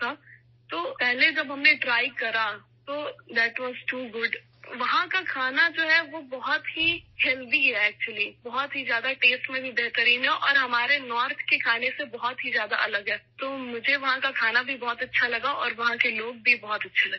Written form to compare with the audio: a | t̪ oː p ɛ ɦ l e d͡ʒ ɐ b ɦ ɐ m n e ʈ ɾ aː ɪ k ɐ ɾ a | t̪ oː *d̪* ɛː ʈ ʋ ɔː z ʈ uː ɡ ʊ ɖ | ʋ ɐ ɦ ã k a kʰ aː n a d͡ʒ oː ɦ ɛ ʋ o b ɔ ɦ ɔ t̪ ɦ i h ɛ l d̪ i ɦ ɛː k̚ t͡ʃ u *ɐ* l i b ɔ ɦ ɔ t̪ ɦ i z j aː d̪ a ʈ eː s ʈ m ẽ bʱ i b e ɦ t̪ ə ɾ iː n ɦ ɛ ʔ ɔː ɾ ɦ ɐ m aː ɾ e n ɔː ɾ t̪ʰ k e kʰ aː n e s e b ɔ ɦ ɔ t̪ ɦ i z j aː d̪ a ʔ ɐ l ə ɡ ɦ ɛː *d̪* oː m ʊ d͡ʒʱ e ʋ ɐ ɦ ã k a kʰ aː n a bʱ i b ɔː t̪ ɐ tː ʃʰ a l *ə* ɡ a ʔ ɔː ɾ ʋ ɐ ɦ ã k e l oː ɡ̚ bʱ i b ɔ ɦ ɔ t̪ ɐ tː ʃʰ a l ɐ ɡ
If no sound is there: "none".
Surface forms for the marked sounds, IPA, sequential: d̪, ə, t̪, ɐ

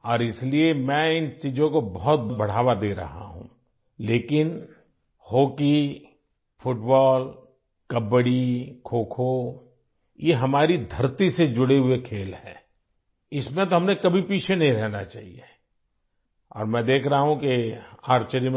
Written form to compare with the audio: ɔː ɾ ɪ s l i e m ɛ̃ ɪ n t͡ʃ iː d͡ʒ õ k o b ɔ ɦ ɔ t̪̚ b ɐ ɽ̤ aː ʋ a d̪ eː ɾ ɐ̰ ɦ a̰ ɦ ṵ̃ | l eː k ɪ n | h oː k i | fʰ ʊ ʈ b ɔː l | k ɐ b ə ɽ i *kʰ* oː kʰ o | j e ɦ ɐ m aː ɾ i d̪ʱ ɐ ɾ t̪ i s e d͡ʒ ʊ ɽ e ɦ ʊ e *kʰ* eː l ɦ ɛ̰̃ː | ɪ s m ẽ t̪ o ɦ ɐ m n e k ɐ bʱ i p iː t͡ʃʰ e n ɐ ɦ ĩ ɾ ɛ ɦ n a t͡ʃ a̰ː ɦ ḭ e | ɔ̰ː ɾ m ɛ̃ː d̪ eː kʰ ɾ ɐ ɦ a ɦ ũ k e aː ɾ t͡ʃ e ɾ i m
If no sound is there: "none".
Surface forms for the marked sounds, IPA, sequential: kʰ, kʰ

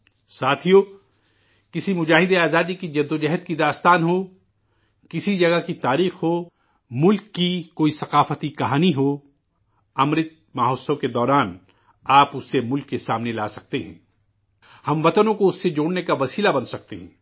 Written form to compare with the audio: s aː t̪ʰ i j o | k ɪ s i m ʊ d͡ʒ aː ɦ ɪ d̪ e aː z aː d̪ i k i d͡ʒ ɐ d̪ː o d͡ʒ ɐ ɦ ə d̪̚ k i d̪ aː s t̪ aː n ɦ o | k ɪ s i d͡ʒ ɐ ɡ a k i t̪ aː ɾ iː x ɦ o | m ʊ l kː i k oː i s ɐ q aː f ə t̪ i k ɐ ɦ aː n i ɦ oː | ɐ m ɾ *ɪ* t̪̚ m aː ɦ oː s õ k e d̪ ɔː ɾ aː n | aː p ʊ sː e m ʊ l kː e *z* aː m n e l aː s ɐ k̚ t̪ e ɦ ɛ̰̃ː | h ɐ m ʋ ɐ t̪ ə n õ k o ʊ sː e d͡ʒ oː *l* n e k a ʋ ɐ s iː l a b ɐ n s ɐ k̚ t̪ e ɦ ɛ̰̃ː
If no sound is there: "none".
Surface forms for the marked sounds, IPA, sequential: ɪ, s, ɽ

